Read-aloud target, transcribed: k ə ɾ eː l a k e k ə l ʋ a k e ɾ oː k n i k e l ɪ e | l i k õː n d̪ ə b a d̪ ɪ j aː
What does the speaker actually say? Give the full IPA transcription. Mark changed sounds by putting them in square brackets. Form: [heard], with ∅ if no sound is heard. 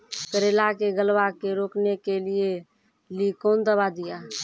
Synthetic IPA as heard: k ə ɾ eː l a k e [ɡ] ə l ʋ a k e ɾ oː k n [e] k e l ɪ e | l i k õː n d̪ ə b a d̪ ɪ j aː